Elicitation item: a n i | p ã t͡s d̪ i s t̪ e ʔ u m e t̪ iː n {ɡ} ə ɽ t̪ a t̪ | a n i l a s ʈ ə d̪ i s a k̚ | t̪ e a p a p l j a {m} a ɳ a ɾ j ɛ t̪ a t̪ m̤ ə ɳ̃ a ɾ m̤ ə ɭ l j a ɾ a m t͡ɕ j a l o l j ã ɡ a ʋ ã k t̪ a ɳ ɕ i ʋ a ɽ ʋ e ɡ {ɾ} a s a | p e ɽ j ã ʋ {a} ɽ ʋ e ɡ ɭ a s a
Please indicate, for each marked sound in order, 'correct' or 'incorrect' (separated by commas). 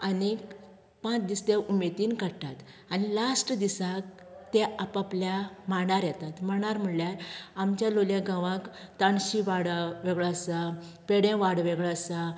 incorrect, correct, incorrect, correct